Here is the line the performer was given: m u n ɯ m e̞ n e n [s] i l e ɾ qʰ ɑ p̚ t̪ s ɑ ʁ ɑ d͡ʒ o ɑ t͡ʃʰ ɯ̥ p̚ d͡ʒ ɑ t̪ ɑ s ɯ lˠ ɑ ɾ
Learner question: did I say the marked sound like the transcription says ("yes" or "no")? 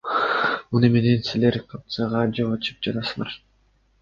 yes